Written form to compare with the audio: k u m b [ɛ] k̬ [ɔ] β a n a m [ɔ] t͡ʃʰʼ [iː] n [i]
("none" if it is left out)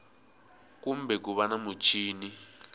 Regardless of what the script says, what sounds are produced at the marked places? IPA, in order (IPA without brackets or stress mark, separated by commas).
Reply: ɛ, u, u, iː, i